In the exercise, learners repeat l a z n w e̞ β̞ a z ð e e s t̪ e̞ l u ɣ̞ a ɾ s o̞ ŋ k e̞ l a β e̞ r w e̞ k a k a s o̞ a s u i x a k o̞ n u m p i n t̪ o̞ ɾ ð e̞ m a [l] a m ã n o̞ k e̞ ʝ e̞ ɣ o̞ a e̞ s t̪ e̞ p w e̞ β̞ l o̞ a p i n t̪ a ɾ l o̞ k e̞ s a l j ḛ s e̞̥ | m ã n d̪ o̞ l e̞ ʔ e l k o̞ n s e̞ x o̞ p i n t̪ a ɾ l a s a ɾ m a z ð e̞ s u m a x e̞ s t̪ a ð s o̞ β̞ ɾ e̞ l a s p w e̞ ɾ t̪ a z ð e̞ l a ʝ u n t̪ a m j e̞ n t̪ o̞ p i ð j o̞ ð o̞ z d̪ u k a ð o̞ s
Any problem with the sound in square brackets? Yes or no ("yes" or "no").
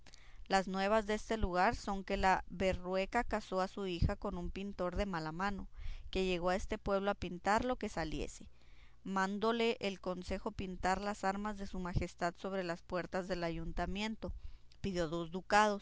no